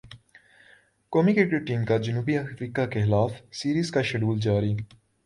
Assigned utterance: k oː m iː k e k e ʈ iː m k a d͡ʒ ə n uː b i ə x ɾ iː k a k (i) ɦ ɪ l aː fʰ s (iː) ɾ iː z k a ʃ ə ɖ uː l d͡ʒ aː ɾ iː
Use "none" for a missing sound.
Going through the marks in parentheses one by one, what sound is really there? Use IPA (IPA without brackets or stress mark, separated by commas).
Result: e, iː